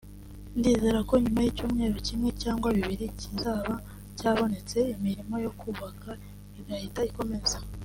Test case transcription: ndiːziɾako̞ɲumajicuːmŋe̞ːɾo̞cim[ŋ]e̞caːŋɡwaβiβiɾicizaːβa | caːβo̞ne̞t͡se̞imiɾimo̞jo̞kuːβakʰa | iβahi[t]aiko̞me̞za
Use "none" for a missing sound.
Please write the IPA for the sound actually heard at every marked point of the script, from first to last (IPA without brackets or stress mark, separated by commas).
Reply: ŋ, t